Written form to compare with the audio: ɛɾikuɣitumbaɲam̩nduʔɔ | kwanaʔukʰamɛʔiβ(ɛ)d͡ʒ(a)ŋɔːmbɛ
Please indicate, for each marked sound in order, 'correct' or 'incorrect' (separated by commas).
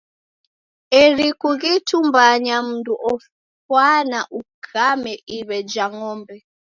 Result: correct, correct